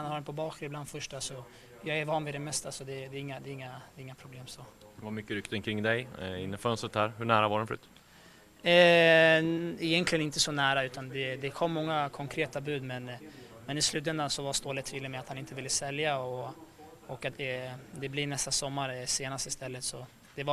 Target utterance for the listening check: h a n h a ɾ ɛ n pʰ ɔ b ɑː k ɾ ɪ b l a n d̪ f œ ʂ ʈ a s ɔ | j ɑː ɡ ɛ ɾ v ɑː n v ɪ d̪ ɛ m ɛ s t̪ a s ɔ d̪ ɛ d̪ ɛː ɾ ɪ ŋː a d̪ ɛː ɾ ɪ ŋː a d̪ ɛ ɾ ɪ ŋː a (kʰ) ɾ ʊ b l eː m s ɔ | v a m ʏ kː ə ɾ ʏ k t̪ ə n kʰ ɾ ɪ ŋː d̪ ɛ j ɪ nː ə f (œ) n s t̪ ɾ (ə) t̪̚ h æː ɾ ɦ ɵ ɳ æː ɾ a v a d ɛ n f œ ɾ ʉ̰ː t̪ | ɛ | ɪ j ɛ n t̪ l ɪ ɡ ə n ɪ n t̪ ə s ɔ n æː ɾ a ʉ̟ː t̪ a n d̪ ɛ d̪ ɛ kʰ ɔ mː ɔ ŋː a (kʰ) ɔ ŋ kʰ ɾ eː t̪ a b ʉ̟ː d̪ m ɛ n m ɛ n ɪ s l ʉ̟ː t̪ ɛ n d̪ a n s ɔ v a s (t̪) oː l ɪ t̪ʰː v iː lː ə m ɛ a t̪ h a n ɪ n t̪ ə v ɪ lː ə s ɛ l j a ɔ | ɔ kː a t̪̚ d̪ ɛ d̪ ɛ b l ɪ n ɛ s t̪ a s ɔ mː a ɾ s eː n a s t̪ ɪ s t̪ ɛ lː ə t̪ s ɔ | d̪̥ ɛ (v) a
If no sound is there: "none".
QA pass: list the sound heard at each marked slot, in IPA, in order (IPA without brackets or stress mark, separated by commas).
pʰ, œ, ə, kʰ, t̪, v